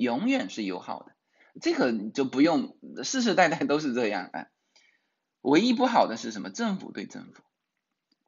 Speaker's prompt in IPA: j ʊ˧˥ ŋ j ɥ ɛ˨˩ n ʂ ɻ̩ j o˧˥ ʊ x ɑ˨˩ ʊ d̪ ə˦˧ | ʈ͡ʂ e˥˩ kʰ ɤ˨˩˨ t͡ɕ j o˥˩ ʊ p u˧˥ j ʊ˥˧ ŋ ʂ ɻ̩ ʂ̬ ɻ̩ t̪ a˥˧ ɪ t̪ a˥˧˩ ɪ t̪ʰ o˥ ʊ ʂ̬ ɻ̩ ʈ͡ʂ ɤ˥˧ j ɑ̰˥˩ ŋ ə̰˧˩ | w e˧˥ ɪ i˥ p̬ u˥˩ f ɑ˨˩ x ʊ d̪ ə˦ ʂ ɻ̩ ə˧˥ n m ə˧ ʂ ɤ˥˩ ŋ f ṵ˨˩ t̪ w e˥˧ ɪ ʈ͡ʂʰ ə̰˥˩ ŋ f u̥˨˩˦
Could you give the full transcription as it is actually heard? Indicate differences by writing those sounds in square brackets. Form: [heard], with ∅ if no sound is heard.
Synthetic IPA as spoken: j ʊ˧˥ ŋ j ɥ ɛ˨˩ n ʂ ɻ̩ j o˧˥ ʊ x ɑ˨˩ ʊ d̪ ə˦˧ | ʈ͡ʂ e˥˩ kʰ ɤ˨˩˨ t͡ɕ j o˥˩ ʊ p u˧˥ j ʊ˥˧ ŋ ʂ ɻ̩ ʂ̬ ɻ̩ t̪ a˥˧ ɪ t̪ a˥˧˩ ɪ [t̪] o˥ ʊ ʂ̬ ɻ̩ ʈ͡ʂ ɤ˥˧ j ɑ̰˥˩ ŋ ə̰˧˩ | w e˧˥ ɪ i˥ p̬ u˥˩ [x] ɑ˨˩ [∅] ʊ d̪ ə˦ ʂ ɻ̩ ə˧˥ n m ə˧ [ʈ͡ʂ] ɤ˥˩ ŋ f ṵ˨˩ t̪ w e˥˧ ɪ [ʈ͡ʂ] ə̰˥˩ ŋ f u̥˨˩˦